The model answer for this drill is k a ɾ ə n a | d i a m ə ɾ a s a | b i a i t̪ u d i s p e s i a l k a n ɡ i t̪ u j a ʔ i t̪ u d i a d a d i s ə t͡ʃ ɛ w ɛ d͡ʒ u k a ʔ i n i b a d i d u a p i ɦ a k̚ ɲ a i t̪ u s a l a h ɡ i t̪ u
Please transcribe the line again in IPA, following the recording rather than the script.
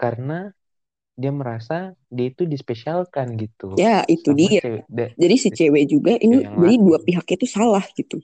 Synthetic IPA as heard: k a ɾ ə n a | d i a m ə ɾ a s a | d i a i t̪ u d i s p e s i a l k a n ɡ i t̪ u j a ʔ i t̪ u d i a d͡ʒ a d i s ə t͡ʃ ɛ w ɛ d͡ʒ u ɡ a ʔ i n i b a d i d u a p i ɦ a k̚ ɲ a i t̪ u s a l a h ɡ i t̪ u